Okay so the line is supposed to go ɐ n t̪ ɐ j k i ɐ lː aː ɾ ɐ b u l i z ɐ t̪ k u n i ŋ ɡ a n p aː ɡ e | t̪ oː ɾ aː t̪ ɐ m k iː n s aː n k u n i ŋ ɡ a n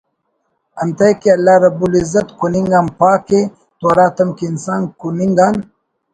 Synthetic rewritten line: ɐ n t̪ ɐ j k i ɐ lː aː ɾ ɐ b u l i z ɐ t̪ k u n i ŋ ɡ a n p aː k e | t̪ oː ɾ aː t̪ ɐ m k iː n s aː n k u n i ŋ ɡ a n